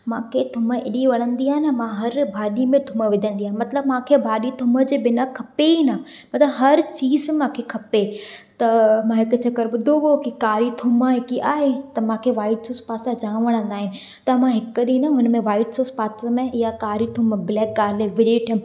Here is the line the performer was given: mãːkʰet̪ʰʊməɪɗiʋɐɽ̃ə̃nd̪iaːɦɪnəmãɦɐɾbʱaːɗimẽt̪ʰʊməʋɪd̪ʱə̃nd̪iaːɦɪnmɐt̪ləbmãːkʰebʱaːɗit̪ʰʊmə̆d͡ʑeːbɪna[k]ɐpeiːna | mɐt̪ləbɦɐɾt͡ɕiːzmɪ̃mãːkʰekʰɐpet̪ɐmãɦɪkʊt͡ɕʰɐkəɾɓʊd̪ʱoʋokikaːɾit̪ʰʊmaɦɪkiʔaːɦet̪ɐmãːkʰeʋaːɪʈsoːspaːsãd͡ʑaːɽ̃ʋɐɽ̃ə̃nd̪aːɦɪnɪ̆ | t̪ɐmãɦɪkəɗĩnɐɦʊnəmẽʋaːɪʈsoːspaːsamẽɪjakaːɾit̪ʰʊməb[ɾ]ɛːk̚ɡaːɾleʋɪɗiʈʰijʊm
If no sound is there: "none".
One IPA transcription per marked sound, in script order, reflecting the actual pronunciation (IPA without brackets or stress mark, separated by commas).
kʰ, l